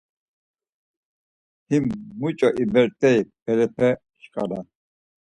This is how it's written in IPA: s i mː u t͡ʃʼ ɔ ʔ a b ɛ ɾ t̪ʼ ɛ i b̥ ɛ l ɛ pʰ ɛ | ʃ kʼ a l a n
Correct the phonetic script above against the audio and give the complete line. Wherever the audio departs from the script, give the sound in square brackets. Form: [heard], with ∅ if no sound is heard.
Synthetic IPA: [h] i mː u t͡ʃʼ ɔ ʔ [i] b ɛ ɾ t̪ʼ ɛ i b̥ ɛ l ɛ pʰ ɛ | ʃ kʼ a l a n